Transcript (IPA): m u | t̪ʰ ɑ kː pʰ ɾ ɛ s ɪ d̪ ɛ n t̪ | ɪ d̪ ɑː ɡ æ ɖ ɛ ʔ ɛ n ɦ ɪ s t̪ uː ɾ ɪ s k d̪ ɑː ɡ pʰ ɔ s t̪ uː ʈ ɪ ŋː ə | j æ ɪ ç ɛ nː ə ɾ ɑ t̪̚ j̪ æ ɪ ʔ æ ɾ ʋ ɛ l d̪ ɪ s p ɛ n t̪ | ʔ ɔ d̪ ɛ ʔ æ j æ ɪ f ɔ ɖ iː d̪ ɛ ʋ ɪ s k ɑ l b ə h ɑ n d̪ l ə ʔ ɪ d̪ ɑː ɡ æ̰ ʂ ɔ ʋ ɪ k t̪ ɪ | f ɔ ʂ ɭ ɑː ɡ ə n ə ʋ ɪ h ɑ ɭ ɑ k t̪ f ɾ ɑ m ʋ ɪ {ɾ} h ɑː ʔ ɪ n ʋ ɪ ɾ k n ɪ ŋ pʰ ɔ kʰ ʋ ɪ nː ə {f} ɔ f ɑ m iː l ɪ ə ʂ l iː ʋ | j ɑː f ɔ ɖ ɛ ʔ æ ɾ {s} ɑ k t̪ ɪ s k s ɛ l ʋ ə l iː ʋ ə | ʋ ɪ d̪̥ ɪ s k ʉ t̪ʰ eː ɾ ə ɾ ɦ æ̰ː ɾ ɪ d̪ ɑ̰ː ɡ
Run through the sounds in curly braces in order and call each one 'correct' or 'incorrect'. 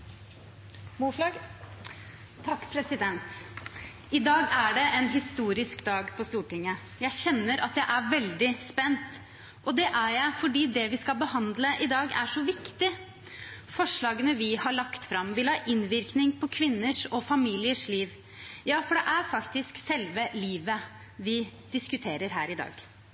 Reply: incorrect: l, incorrect: ʂ, incorrect: f

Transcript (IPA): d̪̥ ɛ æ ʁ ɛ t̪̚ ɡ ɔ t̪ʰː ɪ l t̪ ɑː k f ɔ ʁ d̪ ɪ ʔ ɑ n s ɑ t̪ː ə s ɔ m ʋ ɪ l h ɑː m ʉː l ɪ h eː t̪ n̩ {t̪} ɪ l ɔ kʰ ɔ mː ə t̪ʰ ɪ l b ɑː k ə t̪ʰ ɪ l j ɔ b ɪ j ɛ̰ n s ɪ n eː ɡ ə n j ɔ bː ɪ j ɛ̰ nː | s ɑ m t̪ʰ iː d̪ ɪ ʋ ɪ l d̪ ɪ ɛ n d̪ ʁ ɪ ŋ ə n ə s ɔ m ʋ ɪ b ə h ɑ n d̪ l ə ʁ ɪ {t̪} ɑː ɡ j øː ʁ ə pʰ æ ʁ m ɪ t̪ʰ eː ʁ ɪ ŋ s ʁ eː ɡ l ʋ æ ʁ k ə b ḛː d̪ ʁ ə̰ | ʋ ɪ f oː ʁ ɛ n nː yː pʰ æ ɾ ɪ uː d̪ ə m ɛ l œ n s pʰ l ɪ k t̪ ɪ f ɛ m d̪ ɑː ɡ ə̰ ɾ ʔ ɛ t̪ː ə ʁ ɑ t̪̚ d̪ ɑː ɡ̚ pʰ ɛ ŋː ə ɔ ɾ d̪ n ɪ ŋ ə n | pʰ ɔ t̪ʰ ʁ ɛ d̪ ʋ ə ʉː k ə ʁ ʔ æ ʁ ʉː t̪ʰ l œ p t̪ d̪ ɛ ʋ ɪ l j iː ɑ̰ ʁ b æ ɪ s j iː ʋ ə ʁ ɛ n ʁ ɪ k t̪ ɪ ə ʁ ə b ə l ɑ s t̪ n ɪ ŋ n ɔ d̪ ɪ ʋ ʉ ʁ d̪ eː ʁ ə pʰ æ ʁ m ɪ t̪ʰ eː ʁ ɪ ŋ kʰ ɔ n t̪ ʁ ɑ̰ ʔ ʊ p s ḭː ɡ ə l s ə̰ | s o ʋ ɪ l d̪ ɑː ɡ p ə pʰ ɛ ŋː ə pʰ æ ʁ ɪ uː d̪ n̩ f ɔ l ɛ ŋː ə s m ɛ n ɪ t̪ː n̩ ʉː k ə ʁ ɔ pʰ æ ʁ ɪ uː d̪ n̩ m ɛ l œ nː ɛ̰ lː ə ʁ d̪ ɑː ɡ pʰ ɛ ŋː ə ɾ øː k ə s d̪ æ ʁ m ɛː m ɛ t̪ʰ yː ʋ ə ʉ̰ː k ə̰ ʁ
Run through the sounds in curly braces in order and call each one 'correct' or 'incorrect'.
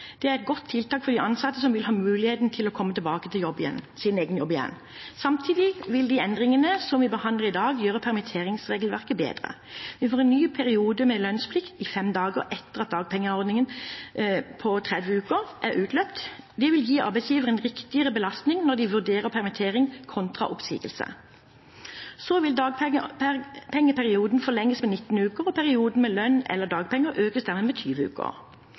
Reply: incorrect: t̪ʰ, incorrect: d̪

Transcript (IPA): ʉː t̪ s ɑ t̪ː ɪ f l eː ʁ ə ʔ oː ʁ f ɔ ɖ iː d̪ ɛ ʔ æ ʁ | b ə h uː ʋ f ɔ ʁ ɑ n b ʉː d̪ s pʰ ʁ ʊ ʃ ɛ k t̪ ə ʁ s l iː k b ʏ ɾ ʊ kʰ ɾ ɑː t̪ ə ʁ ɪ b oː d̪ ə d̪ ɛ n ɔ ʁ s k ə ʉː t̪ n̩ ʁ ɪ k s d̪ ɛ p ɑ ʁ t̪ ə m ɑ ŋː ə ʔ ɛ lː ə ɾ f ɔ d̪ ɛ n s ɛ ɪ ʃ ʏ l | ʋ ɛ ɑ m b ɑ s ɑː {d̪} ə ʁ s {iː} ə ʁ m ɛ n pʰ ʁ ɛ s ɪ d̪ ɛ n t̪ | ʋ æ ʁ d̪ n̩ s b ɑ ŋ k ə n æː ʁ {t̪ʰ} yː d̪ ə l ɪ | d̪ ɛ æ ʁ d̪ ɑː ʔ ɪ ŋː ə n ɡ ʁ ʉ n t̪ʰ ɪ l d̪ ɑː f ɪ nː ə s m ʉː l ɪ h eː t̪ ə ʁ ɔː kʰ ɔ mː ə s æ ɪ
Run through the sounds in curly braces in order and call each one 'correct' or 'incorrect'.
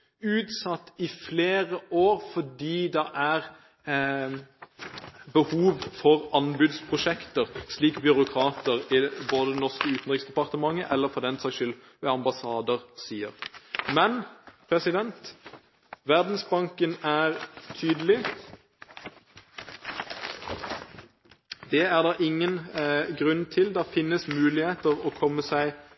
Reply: correct, correct, correct

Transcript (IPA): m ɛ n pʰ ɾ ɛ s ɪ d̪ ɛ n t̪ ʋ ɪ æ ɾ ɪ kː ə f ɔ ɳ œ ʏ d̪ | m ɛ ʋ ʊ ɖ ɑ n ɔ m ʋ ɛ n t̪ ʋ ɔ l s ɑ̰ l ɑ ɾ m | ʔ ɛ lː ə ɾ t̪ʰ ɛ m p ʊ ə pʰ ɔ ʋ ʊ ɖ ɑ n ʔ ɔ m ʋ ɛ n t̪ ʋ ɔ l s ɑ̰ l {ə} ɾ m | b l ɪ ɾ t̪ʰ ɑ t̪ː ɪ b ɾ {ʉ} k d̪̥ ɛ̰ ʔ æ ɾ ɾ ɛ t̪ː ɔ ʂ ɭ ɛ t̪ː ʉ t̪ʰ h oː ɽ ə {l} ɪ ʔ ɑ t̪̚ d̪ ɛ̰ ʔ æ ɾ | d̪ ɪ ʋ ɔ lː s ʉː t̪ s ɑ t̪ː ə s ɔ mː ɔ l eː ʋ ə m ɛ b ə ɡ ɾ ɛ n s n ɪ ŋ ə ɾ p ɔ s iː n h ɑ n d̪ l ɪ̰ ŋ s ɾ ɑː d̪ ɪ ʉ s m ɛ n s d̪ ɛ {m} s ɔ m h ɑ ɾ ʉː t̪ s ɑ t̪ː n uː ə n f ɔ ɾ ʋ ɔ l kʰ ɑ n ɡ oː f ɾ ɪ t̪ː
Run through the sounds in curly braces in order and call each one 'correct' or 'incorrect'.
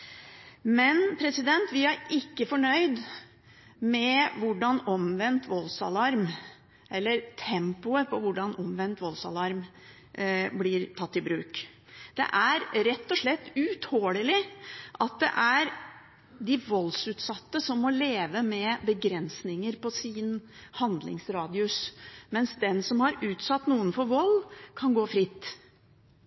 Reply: incorrect: ɑ, incorrect: ʉː, correct, incorrect: n

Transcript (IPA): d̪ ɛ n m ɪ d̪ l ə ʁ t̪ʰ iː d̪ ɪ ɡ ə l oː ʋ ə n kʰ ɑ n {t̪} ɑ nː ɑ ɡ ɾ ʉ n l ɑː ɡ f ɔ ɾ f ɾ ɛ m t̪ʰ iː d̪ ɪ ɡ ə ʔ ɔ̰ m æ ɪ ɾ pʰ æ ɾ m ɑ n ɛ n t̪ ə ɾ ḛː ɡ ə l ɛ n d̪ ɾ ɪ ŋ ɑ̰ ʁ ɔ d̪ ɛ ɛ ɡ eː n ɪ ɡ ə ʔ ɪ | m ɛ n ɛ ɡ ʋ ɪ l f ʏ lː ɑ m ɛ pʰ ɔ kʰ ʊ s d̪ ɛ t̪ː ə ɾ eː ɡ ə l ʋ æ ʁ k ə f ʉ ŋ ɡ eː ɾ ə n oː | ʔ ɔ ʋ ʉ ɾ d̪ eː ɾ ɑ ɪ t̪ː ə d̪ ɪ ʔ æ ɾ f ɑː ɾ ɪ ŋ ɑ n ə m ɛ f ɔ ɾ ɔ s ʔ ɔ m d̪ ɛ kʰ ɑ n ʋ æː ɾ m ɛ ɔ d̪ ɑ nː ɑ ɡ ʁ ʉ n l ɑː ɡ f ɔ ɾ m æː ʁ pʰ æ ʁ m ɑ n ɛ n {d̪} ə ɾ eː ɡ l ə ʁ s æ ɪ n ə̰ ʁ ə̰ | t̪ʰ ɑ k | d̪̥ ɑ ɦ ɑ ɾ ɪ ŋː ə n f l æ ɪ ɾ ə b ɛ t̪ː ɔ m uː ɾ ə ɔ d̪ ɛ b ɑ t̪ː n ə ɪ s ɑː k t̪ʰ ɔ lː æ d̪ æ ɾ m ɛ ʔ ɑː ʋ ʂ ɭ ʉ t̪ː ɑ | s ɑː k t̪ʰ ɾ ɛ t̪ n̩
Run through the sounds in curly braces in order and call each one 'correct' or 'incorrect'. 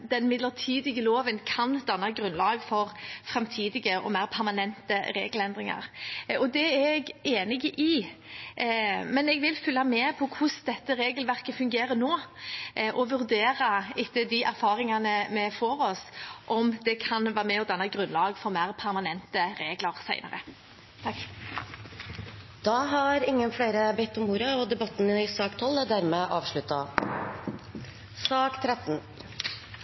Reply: incorrect: d̪, incorrect: t̪

